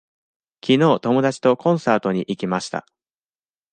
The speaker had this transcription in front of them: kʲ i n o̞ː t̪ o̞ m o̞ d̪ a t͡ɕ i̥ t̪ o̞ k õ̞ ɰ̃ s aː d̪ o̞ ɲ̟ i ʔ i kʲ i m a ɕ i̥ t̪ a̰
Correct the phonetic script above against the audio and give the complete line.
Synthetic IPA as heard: kʲ i n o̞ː t̪ o̞ m o̞ d̪ a t͡ɕ i̥ t̪ o̞ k õ̞ ɰ̃ s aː t̪ o̞ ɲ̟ i ʔ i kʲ i m a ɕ i̥ t̪ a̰